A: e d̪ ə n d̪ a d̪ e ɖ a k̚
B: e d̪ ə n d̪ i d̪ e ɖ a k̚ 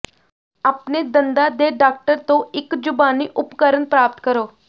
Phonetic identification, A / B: A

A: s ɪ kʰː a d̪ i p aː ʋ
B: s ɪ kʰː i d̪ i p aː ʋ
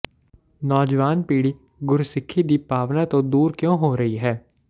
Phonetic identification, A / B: B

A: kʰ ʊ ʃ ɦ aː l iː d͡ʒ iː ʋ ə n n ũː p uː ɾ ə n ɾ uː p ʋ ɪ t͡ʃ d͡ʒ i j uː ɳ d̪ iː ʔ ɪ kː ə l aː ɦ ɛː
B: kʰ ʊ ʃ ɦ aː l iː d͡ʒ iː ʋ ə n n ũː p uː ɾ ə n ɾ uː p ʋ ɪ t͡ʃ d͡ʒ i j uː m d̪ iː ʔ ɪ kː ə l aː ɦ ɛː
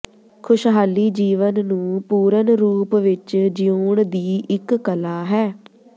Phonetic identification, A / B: A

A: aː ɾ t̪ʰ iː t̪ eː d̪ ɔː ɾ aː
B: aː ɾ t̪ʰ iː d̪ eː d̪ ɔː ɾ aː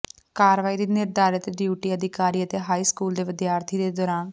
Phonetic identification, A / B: B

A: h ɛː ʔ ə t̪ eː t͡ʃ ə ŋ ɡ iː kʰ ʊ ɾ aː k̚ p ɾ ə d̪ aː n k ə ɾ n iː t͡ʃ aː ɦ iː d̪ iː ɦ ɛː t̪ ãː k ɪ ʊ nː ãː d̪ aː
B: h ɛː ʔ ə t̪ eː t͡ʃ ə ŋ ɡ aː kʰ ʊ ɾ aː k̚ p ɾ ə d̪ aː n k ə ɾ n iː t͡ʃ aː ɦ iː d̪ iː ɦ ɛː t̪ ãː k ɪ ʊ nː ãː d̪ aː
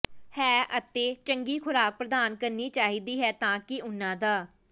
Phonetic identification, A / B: A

